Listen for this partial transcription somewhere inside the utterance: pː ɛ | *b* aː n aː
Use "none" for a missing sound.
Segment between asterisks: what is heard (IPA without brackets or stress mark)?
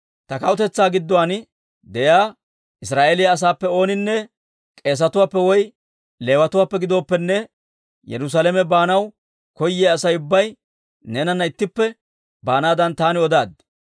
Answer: b